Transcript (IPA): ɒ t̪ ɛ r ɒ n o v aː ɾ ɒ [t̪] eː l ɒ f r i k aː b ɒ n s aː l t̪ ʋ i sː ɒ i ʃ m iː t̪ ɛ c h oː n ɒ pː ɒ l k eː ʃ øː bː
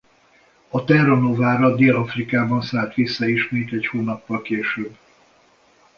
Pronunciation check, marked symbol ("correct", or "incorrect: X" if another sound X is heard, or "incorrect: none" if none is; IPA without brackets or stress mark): incorrect: d̪